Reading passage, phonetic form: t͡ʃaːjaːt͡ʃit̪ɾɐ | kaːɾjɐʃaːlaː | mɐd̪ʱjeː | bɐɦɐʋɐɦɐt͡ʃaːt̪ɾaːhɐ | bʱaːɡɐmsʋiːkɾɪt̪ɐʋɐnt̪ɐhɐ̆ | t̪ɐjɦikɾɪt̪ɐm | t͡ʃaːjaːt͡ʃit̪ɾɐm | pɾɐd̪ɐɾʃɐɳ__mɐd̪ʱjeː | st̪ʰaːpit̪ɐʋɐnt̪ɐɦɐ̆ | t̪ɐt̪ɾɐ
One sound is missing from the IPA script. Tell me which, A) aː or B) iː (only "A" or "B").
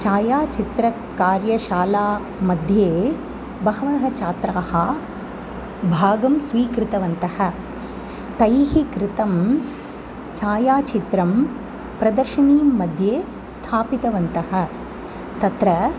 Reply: B